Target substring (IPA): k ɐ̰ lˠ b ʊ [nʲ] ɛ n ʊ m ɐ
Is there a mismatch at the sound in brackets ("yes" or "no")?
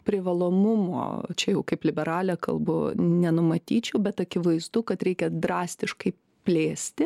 no